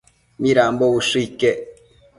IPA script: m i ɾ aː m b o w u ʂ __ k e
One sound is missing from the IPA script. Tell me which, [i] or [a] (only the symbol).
i